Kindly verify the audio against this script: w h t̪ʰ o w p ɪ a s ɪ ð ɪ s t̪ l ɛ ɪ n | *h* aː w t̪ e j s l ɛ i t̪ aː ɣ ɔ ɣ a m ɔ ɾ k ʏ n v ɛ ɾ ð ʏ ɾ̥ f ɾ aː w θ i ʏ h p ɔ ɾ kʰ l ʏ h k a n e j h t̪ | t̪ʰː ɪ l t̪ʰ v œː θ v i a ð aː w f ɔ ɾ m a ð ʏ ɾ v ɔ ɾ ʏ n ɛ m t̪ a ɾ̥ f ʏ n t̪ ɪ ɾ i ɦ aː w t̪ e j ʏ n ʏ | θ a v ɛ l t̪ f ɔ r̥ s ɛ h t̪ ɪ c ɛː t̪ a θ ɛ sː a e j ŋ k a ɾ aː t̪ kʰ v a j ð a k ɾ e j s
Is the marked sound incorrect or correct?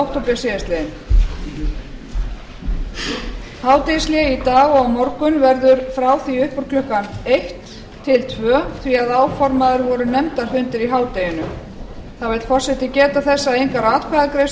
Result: correct